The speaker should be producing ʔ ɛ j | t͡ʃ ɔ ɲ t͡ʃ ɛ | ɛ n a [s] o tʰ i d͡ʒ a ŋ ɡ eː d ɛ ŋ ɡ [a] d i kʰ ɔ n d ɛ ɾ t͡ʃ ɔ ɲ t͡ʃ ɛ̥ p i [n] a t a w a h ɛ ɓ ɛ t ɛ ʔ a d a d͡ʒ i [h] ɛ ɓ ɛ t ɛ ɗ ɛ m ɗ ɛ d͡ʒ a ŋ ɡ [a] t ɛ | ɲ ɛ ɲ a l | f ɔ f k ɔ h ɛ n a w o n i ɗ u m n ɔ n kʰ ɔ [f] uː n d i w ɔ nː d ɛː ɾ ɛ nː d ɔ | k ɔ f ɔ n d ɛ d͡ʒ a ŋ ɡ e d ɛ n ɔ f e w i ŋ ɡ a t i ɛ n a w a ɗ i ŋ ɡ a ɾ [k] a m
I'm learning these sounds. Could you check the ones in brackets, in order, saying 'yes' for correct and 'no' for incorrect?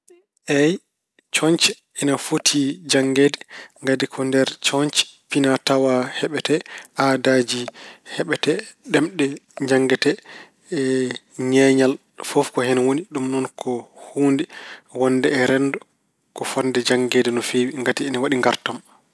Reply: no, yes, yes, yes, no, no, no

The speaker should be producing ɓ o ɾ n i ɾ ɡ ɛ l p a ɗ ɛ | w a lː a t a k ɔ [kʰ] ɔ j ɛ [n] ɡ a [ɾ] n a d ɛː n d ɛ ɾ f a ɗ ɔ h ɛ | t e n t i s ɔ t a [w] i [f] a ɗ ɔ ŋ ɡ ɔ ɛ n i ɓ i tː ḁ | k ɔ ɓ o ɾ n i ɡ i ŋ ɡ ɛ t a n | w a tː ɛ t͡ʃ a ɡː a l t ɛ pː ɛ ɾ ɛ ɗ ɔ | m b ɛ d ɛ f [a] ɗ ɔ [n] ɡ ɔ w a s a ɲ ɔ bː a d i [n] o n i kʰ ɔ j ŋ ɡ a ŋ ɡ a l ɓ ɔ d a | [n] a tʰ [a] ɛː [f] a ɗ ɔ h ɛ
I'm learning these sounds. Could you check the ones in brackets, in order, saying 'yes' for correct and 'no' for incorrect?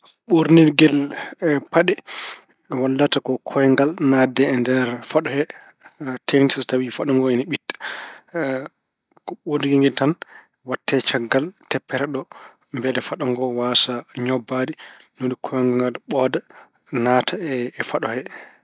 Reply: yes, no, no, yes, yes, yes, no, yes, yes, yes, yes

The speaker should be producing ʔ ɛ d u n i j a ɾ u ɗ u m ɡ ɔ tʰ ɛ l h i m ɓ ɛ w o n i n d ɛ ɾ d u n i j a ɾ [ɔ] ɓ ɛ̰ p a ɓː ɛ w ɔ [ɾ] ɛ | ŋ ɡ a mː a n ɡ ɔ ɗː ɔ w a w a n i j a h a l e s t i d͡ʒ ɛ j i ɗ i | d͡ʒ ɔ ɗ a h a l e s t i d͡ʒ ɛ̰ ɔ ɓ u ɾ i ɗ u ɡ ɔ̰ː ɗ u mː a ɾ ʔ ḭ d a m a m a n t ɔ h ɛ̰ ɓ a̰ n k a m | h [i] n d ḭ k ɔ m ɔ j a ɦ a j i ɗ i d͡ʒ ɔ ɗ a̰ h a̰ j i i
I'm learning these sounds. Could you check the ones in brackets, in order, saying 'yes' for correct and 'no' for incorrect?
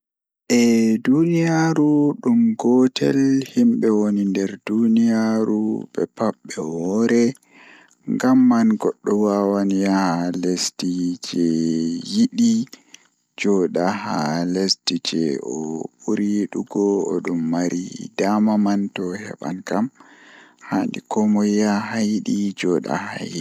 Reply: no, yes, no

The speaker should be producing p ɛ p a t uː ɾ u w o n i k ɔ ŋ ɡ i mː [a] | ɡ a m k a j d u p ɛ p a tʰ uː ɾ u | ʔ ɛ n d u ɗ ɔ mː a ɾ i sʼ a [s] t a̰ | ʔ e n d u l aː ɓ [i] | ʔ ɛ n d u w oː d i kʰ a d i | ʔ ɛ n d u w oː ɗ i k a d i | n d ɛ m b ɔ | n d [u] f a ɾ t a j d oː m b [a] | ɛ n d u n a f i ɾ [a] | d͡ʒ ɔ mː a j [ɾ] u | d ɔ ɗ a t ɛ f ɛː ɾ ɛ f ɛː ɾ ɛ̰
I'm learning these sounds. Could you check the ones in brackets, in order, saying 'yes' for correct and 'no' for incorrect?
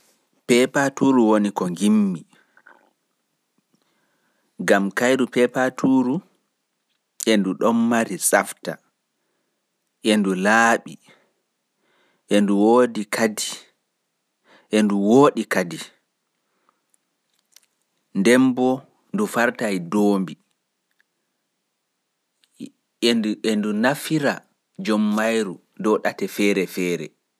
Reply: no, no, yes, yes, no, yes, yes

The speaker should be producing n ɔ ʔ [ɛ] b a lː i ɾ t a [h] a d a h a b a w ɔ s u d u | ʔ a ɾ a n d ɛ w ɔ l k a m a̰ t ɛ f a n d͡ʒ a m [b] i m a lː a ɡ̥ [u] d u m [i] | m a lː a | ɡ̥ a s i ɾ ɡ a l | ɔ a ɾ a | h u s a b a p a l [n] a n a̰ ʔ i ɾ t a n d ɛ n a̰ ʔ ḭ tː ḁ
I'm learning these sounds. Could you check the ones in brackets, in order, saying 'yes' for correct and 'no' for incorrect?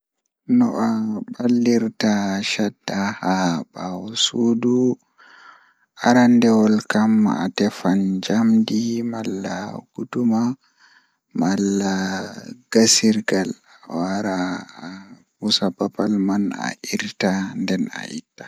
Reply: no, no, no, yes, no, no

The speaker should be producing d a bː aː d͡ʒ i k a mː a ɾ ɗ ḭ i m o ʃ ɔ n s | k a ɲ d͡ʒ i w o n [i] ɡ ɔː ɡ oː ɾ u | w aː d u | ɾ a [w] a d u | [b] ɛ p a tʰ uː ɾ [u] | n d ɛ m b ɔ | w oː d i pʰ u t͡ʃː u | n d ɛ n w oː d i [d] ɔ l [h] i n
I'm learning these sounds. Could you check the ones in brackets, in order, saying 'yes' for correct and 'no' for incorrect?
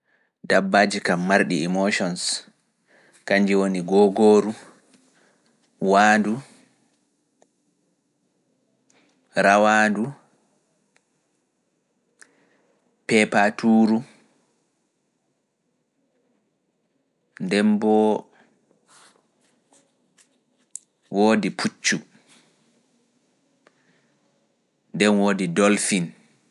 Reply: yes, yes, no, yes, yes, no

